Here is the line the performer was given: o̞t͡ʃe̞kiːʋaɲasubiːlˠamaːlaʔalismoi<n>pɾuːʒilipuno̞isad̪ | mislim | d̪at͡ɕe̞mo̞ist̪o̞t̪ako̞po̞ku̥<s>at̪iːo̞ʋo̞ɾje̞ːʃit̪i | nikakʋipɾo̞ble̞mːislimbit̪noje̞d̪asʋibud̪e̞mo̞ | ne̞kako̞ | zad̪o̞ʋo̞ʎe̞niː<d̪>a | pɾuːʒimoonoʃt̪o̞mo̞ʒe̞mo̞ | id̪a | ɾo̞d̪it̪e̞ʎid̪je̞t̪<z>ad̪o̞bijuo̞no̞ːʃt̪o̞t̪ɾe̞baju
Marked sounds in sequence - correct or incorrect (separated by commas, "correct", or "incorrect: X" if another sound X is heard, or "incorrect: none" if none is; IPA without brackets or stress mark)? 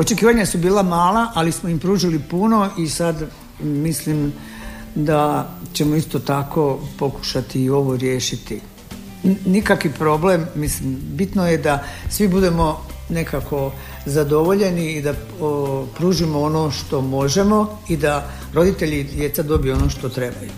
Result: incorrect: m, incorrect: ʃ, correct, incorrect: s